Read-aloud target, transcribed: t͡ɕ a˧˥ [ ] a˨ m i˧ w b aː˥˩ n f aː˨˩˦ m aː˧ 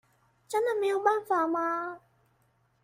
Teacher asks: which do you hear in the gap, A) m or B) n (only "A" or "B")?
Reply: B